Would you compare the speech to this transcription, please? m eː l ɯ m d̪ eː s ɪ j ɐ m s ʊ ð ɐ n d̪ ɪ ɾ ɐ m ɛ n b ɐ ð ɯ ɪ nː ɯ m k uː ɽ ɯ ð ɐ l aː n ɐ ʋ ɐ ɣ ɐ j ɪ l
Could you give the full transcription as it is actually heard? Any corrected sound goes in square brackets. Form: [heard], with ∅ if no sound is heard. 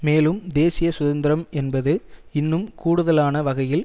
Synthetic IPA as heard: m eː l ɯ m d̪ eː s ɪ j ɐ [∅] s ʊ ð ɐ n d̪ ɪ ɾ ɐ m ɛ n b ɐ ð ɯ ɪ nː ɯ m k uː ɽ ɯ ð ɐ l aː n ɐ ʋ ɐ ɣ ɐ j ɪ l